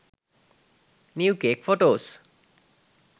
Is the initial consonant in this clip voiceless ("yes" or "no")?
no